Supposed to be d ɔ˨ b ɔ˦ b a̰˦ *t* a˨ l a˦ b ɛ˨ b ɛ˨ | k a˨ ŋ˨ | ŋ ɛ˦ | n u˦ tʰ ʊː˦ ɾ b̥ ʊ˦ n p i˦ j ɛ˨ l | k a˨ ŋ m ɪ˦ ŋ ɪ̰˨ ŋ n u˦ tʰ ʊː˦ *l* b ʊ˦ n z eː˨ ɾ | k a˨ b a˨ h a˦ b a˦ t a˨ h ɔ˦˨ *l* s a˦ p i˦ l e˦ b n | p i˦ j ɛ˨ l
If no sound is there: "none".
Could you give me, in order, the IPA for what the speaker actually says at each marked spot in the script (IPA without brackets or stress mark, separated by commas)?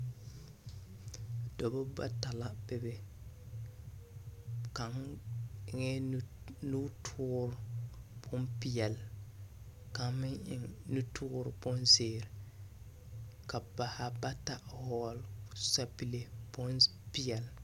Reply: t, ɾ, l